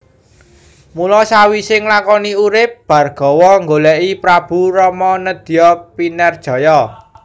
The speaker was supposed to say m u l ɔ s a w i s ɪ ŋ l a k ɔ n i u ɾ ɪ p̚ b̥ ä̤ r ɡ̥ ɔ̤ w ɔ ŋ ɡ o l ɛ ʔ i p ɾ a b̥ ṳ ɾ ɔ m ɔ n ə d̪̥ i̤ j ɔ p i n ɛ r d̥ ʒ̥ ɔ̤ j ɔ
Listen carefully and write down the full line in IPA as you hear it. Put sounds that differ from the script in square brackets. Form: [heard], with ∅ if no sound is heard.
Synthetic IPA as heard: m u l ɔ s a w i s ɪ ŋ l a k ɔ n i u ɾ ɪ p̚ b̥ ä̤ r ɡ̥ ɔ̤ w ɔ ŋ ɡ o l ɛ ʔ i p ɾ a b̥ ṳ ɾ ɔ m ɔ n ə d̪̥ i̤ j ɔ p i n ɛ r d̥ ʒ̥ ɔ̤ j ɔ